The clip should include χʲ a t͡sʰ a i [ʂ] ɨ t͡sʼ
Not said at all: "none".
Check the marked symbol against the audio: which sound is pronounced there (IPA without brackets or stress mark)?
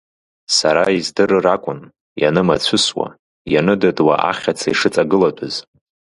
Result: ʂ